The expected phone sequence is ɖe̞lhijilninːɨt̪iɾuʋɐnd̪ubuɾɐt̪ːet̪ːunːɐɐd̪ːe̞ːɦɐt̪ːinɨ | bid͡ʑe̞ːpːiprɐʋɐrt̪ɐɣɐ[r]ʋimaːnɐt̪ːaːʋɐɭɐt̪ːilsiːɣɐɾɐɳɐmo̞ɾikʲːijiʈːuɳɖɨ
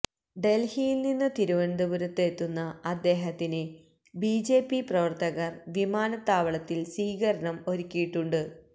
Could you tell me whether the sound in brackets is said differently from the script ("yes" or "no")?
no